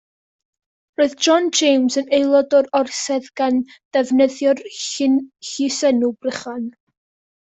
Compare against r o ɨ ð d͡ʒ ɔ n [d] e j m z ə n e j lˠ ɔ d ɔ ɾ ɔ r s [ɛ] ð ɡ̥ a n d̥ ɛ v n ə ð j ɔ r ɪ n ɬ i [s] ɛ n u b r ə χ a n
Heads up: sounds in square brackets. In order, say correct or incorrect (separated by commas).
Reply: incorrect, correct, correct